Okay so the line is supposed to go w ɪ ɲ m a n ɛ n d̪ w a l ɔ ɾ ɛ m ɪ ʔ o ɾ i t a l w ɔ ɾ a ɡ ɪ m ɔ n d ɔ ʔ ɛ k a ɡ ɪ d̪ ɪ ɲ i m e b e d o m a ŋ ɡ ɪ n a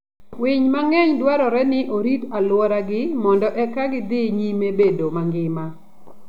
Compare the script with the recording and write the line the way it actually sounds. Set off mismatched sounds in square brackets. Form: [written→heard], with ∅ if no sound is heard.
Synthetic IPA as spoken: w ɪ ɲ m a [n→ŋ] ɛ [n→ɲ] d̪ w a [l→ɾ] ɔ ɾ ɛ [m→n] ɪ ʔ o ɾ i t a l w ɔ ɾ a ɡ ɪ m ɔ n d ɔ ʔ ɛ k a ɡ ɪ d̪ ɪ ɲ i m e b e d o m a ŋ ɡ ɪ [n→m] a